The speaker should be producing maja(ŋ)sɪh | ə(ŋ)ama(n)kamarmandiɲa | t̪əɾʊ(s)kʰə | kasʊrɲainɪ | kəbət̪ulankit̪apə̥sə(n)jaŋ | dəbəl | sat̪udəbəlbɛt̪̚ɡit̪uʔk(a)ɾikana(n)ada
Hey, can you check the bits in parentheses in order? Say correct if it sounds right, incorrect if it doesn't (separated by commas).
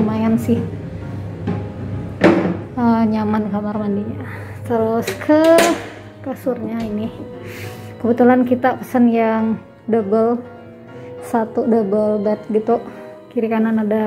incorrect, incorrect, correct, correct, correct, incorrect, correct